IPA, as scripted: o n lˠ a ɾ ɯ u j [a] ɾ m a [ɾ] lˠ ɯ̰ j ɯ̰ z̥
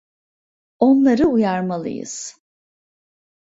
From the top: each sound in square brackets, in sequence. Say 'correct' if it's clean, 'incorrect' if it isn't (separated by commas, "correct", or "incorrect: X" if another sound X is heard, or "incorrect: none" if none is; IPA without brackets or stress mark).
correct, incorrect: none